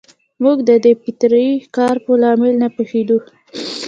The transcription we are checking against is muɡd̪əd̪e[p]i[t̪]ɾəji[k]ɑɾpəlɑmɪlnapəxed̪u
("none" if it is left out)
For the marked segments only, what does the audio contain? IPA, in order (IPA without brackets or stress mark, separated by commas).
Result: p, t̪, k